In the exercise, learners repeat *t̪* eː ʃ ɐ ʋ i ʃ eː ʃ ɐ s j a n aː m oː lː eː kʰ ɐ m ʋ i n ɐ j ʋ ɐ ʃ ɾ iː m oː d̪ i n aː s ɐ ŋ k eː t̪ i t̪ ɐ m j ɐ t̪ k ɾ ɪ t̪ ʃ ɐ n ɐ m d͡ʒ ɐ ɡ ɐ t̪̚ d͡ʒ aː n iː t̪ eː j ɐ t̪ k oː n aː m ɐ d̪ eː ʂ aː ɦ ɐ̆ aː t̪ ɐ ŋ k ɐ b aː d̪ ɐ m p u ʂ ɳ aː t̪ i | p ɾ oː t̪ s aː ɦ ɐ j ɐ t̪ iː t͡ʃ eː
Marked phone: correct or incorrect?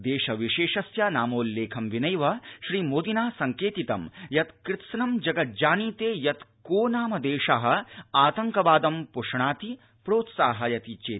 incorrect: d̪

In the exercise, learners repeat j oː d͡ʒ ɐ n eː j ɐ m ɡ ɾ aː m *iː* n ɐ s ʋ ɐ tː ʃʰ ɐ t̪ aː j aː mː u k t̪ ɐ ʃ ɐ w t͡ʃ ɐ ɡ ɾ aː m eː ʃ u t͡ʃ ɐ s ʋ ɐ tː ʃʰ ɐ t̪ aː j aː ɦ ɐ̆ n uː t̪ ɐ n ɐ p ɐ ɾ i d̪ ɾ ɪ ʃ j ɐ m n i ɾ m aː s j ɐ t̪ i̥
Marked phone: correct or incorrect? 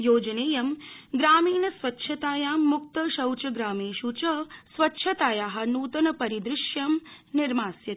correct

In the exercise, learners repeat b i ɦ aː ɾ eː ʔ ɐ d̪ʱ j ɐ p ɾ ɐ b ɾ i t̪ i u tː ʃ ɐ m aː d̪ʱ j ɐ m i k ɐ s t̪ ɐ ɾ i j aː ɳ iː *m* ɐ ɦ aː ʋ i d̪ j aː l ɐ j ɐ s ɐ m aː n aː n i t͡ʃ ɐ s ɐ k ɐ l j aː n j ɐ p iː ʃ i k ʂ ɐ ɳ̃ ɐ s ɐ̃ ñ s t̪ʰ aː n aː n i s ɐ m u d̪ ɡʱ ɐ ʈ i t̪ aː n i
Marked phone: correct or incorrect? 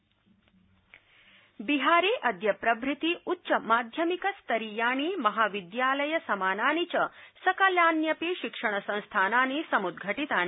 correct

